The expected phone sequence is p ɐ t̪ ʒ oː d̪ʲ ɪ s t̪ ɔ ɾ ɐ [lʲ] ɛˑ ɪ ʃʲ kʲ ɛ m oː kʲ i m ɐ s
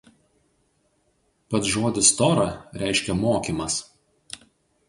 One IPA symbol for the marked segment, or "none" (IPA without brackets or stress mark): ɾʲ